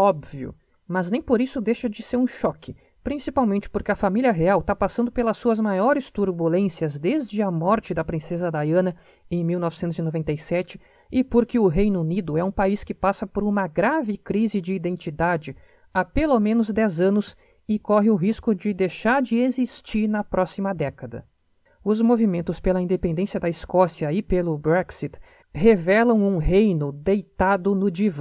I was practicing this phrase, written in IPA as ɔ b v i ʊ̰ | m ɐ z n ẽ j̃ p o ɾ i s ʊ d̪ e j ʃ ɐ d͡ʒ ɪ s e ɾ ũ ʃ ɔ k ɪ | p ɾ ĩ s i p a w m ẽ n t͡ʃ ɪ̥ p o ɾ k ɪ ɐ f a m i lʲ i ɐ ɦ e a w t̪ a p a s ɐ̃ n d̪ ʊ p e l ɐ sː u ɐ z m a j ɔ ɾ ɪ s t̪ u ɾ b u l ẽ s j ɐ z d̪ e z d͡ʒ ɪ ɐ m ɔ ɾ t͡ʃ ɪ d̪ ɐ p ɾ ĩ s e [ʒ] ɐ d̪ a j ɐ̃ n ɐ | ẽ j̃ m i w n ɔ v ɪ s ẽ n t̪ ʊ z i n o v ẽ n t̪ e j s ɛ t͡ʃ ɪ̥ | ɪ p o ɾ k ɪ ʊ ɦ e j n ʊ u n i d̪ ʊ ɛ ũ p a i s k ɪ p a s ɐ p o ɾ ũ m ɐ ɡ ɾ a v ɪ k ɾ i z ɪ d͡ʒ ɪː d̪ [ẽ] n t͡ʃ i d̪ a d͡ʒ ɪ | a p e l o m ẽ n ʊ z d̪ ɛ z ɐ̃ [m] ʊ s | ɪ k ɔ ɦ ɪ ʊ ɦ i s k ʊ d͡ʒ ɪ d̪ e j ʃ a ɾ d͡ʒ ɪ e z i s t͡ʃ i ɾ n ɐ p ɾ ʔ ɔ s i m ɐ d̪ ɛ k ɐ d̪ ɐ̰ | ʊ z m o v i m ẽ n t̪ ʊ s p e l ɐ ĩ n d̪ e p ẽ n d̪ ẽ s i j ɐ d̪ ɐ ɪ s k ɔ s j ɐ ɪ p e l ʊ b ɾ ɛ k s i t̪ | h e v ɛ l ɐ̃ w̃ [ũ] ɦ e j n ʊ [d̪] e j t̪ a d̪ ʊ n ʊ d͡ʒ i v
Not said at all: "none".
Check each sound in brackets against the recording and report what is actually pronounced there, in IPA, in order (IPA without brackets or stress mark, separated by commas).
z, ẽ, n, ũ, d̪